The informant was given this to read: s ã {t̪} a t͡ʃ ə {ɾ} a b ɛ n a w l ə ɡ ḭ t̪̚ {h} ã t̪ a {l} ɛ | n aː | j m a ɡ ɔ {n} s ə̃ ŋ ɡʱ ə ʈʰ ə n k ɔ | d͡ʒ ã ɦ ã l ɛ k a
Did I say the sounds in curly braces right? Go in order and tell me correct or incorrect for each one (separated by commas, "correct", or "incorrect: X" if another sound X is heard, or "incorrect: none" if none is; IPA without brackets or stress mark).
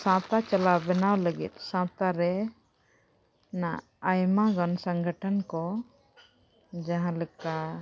correct, incorrect: l, incorrect: s, incorrect: ɾ, correct